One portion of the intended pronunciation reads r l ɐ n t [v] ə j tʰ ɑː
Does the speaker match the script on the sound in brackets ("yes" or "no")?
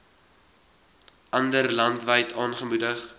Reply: yes